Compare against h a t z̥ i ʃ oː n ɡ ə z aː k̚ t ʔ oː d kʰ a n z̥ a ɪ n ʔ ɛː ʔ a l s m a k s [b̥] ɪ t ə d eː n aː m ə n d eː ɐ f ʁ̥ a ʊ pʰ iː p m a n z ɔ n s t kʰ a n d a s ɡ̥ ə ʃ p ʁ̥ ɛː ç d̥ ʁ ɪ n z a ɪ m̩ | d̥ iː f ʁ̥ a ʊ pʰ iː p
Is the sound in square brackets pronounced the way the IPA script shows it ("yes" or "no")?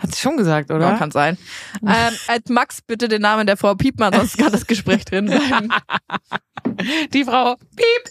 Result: yes